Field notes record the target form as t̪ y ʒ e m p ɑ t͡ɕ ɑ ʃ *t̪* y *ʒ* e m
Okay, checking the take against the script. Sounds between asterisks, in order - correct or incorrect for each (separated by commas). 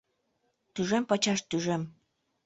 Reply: correct, correct